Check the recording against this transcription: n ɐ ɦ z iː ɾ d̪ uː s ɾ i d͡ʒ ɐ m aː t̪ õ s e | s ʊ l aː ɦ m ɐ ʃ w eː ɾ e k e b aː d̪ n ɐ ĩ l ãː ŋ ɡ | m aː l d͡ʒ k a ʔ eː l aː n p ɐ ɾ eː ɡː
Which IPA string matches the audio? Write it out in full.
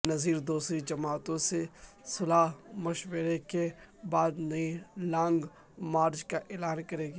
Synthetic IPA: n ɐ z iː ɾ d̪ uː s ɾ i d͡ʒ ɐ m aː t̪ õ s e | s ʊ l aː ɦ m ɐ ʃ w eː ɾ e k e b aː d̪ n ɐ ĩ l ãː ŋ ɡ | m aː ɾ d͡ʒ k a ʔ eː l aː n k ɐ ɾ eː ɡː